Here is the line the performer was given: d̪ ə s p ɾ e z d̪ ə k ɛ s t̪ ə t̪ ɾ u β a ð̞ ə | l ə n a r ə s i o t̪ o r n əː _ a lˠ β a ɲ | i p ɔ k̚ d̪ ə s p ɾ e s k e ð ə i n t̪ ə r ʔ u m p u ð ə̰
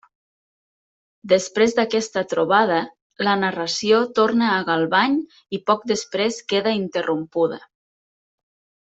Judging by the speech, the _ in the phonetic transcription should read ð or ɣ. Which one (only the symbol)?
ɣ